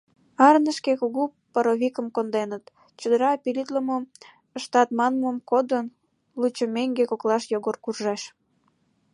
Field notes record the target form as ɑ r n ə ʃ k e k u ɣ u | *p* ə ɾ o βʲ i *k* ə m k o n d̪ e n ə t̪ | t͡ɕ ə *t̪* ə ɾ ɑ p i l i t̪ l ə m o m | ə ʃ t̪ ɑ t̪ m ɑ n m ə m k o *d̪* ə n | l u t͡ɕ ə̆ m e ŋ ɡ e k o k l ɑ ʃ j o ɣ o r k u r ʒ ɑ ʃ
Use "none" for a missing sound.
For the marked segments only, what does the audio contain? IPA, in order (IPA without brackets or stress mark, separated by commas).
p, k, d̪, d̪